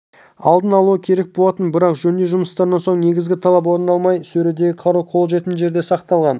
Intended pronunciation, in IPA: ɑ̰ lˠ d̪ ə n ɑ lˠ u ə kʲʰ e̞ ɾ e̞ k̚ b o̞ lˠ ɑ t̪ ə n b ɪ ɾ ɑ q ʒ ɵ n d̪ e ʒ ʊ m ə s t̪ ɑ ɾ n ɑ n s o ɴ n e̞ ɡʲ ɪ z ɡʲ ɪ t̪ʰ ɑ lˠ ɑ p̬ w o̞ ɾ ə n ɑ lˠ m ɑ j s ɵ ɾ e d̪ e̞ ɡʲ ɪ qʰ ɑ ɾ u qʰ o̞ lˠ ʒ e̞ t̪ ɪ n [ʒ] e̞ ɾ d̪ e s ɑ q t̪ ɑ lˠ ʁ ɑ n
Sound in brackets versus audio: correct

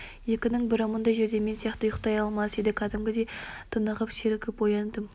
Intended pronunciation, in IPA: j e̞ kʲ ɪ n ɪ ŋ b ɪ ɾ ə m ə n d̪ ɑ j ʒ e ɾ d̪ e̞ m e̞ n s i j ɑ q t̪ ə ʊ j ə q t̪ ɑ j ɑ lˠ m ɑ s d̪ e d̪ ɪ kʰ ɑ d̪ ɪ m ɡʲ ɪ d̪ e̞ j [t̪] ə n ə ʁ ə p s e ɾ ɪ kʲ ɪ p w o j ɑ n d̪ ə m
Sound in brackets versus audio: incorrect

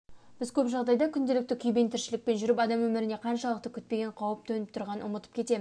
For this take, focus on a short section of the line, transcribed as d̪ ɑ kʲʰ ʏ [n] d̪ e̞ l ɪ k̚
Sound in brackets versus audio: correct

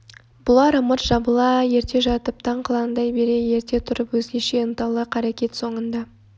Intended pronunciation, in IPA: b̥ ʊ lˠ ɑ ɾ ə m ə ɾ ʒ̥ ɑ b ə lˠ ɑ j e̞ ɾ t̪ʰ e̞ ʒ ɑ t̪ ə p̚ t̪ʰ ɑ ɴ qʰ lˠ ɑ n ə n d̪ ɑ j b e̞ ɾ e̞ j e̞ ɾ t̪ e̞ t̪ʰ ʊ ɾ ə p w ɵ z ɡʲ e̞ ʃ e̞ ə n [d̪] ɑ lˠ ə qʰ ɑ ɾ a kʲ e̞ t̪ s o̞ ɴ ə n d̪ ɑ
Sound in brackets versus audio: incorrect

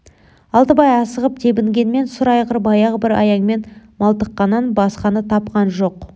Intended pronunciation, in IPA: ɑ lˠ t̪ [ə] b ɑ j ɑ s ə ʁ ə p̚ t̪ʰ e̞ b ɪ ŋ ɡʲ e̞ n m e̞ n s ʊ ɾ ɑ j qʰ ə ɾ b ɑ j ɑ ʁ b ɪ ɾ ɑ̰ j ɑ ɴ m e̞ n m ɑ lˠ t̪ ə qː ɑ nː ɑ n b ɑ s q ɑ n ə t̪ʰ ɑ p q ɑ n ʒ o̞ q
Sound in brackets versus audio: correct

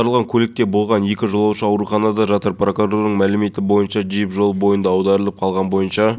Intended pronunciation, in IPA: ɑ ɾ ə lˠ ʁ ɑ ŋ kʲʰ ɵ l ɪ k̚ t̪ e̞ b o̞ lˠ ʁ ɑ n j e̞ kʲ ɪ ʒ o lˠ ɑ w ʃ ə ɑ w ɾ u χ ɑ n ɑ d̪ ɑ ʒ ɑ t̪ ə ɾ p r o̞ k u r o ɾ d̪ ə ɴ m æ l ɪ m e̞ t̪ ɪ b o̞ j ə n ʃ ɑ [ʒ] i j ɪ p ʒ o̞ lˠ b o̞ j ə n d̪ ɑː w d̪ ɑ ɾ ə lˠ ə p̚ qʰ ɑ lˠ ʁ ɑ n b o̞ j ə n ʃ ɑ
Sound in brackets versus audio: correct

